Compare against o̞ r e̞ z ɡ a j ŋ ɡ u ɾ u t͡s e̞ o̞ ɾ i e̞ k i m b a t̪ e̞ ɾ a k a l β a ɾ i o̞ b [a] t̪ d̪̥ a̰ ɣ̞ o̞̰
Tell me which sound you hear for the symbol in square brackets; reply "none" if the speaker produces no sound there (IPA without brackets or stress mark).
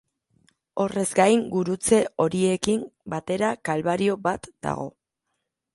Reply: a